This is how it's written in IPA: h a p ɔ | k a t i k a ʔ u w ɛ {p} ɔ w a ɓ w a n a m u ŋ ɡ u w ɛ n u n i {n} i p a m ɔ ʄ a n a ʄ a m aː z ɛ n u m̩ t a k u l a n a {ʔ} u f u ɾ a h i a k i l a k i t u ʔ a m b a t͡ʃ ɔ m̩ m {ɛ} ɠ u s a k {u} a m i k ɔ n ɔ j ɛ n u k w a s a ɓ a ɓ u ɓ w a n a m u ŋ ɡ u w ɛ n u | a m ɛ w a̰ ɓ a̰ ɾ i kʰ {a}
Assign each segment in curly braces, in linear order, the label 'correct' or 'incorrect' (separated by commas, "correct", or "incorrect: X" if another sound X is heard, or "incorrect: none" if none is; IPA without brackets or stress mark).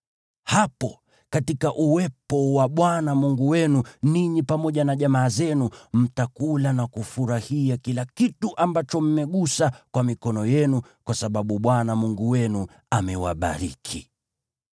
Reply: correct, incorrect: ɲ, incorrect: k, correct, incorrect: w, incorrect: i